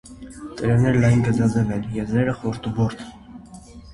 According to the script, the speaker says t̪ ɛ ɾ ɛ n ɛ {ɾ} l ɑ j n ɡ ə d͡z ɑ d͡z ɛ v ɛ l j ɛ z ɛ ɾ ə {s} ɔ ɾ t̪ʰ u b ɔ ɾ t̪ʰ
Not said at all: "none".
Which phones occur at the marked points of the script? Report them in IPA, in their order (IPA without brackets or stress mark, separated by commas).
ɾ, χ